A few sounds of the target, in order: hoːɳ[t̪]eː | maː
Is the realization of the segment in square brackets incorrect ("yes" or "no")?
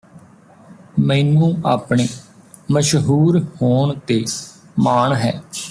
no